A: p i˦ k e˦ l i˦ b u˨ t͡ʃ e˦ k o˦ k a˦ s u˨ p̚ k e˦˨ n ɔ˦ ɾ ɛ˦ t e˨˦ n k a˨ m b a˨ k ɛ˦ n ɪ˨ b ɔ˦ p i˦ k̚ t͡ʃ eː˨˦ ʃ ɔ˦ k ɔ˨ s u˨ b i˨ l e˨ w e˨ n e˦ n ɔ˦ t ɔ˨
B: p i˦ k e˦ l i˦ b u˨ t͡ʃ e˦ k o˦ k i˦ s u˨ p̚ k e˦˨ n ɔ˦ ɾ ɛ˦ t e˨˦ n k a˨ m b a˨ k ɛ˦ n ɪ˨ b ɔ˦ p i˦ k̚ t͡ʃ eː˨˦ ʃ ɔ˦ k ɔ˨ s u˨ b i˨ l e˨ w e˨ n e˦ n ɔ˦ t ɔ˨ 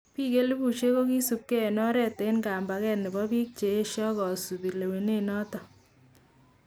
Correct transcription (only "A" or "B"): B